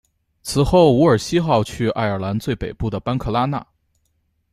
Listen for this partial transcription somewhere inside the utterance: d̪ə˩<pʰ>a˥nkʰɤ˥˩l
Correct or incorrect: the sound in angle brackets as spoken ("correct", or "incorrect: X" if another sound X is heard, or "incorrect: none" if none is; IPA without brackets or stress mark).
incorrect: p